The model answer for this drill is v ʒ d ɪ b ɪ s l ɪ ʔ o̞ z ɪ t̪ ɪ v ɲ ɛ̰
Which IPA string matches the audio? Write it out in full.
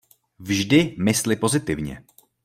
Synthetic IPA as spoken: v ʒ d ɪ m ɪ s l ɪ p o̞ z ɪ t̪ ɪ v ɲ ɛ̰